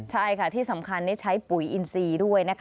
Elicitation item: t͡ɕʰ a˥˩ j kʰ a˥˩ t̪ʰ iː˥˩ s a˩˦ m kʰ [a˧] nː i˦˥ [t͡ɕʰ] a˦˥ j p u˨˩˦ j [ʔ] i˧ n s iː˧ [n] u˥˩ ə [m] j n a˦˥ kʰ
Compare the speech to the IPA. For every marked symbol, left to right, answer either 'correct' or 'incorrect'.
correct, correct, correct, incorrect, incorrect

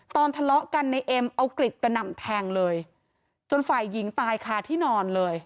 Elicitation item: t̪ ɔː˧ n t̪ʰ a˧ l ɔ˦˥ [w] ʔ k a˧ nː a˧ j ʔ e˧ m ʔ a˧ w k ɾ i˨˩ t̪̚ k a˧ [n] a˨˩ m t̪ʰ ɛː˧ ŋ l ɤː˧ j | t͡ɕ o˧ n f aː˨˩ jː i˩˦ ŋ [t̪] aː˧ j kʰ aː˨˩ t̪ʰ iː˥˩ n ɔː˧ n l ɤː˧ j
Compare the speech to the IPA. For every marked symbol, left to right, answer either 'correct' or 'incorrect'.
incorrect, correct, correct

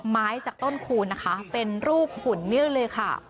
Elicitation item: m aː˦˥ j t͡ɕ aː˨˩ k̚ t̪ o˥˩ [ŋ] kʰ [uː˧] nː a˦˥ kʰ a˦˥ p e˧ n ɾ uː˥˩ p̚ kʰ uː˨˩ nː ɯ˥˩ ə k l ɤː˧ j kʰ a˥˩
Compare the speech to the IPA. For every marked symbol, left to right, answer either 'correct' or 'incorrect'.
incorrect, correct

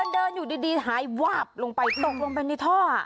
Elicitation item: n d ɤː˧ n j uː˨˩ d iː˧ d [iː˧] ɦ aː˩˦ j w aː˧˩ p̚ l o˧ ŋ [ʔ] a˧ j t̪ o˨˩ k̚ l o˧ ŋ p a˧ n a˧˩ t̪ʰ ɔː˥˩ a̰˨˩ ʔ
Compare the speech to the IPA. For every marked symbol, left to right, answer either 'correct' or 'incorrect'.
correct, incorrect

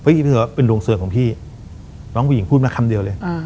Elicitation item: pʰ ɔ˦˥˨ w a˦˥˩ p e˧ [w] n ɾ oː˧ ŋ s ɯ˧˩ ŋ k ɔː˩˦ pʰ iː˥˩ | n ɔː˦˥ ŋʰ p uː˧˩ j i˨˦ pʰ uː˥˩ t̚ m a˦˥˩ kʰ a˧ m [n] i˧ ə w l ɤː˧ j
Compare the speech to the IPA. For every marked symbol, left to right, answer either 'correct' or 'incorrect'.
incorrect, incorrect

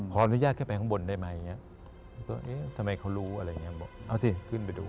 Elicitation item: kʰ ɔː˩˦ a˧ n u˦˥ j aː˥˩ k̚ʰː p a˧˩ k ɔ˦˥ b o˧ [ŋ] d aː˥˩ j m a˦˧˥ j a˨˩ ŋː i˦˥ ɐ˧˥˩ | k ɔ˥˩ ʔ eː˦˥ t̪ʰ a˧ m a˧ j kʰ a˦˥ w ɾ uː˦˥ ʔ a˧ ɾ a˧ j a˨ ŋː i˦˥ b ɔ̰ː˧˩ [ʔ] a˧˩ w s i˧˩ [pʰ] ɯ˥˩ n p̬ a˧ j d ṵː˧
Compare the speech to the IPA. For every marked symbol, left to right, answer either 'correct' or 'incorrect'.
incorrect, correct, incorrect

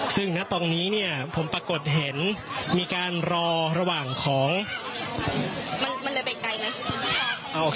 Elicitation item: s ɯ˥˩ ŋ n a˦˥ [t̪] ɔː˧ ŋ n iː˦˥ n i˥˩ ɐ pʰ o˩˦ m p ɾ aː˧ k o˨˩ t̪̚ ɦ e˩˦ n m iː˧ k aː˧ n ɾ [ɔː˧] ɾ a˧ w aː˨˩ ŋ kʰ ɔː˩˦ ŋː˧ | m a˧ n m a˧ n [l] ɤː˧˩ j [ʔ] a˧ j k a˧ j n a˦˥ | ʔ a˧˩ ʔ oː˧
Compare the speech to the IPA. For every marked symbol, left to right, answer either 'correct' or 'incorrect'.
correct, correct, correct, incorrect

